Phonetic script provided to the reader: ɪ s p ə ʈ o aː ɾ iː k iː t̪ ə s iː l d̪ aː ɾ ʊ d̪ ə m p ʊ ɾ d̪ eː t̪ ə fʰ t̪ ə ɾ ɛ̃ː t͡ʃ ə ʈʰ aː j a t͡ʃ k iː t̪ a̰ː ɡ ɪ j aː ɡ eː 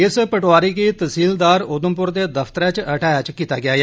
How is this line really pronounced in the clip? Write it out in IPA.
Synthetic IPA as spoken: ɪ s p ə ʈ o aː ɾ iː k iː t̪ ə s iː l d̪ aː ɾ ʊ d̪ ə m p ʊ ɾ d̪ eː d̪ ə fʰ t̪ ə ɾ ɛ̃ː t͡ʃ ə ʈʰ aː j a t͡ʃ k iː t̪ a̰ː ɡ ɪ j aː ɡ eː